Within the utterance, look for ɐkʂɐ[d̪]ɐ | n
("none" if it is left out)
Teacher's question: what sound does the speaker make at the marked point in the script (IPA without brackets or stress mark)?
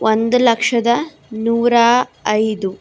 d̪